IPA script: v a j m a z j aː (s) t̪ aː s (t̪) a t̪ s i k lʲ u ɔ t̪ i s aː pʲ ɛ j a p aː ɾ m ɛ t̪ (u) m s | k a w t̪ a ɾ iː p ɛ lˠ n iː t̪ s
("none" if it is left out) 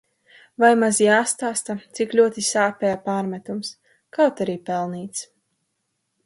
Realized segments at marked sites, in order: s, t̪, u

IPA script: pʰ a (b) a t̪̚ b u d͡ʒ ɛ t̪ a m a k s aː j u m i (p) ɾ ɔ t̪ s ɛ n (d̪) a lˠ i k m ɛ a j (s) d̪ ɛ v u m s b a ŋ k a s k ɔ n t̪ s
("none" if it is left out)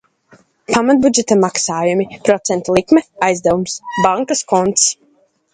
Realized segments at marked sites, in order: m, p, t̪, z

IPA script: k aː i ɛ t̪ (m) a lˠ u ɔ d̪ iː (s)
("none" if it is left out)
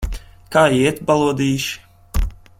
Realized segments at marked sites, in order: b, ʃ

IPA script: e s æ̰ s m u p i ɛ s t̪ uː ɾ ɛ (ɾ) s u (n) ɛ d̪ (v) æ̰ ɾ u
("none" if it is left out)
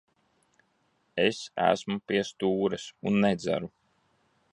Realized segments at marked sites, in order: none, nː, z

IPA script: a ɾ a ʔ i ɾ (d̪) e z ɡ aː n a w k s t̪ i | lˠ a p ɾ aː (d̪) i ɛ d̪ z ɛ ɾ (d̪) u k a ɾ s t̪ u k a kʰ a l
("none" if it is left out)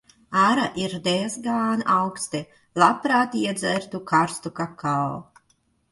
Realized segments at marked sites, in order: d̪, t̪, t̪

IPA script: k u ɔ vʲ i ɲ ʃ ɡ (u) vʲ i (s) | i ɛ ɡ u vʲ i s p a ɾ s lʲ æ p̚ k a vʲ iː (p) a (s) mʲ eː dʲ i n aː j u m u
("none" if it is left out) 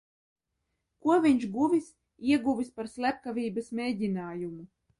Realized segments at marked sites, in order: u, s, b, s

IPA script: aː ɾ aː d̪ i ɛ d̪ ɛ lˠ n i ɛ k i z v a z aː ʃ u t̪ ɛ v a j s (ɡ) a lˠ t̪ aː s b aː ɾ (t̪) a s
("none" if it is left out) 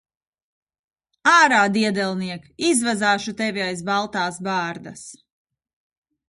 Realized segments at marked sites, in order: b, d̪

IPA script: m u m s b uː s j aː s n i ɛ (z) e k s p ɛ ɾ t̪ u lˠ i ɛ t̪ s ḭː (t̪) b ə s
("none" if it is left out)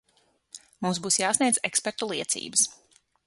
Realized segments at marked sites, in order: z, none

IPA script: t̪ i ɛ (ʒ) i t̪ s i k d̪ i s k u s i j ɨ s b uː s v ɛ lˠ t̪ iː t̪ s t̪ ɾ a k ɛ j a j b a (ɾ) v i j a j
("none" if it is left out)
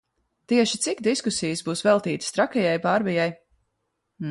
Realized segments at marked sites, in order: ʃ, ɾ

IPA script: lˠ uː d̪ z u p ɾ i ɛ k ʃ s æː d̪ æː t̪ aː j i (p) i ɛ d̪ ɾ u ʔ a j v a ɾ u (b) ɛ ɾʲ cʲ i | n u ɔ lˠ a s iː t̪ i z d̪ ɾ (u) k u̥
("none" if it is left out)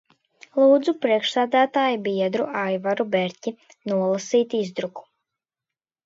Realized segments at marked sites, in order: b, b, u

